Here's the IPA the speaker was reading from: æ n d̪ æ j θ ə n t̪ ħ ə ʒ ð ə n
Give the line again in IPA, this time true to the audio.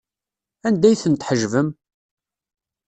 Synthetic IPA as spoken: æ n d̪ æ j θ ə n t̪ ħ ə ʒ v ə m